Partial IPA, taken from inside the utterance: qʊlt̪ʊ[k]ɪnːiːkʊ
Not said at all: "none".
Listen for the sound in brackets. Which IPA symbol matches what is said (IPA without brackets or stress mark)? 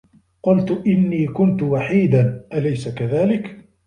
ʔ